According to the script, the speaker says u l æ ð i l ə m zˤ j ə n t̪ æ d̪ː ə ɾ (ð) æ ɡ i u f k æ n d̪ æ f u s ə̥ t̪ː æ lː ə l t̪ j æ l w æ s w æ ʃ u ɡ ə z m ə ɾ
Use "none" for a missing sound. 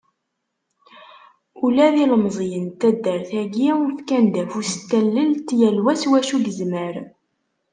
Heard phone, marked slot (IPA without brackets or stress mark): θ